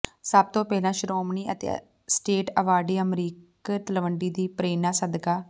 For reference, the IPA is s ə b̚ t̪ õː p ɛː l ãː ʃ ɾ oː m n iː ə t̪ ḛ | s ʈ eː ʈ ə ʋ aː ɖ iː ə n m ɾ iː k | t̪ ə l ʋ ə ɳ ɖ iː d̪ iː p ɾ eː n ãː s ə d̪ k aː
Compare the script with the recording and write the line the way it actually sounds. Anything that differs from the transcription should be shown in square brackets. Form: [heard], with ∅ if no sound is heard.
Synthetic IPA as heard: s ə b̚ t̪ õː p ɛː l ãː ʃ ɾ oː m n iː ə t̪ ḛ | s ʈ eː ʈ ə ʋ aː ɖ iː ə [∅] m ɾ iː k | t̪ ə l ʋ ə ɳ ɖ iː d̪ iː p ɾ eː n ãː s ə d̪ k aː